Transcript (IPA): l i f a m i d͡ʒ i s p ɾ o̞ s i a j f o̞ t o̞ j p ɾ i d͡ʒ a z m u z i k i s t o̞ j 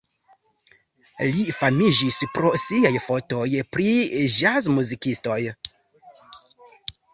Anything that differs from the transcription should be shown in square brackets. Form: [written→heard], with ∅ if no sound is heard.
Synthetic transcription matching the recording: l i f a m i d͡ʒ i s p ɾ o̞ s i a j f o̞ t o̞ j p ɾ i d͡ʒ a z m u z i k i s t o̞ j